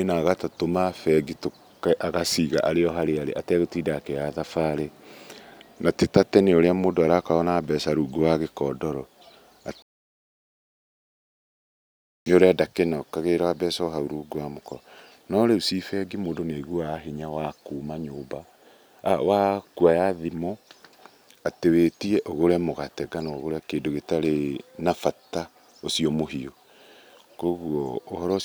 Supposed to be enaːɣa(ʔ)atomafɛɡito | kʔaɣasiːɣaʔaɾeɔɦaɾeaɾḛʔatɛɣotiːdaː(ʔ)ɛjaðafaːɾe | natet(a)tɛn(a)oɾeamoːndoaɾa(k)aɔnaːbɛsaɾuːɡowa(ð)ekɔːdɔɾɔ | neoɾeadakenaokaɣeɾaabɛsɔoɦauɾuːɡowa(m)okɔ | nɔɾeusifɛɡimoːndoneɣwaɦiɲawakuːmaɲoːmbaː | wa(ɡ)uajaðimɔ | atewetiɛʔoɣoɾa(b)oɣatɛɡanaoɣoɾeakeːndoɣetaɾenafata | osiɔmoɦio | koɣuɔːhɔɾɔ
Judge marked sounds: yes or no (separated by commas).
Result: no, no, yes, no, yes, no, yes, no, no